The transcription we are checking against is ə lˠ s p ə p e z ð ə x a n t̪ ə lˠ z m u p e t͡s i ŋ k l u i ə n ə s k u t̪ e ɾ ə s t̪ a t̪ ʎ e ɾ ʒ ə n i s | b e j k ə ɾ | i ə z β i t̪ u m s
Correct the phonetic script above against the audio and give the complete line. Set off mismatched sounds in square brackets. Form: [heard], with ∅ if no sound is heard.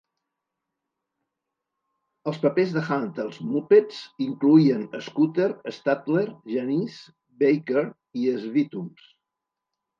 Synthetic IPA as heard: ə lˠ s p ə p e z ð ə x a n t̪ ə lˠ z m u p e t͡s i ŋ k l u i ə n ə s k u t̪ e ɾ ə s t̪ a t̪ [l] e ɾ ʒ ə n i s | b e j k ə ɾ | i ə z β i t̪ u m s